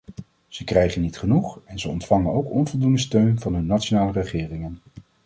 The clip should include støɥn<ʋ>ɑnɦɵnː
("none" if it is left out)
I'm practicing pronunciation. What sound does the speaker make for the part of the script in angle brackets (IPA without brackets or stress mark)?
v